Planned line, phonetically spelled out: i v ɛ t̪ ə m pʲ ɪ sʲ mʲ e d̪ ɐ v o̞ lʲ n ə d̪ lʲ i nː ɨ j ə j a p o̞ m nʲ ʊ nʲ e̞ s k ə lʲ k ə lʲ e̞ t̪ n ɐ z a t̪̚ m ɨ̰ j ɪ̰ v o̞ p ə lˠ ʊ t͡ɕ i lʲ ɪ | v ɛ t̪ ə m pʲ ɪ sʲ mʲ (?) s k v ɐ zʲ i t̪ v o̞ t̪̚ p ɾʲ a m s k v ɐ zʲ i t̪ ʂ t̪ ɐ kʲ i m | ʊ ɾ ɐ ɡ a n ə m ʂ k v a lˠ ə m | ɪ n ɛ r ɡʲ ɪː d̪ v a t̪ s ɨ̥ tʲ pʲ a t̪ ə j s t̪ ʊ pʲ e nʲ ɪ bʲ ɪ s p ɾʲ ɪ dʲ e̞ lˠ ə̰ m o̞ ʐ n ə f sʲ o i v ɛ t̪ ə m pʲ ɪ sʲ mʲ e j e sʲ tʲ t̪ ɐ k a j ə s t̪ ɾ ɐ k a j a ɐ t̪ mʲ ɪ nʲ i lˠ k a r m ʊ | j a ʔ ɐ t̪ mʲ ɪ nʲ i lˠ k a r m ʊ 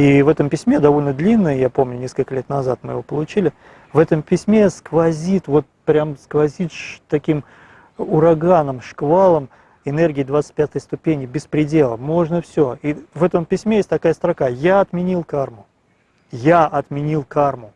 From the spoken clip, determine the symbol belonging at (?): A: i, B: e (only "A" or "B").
B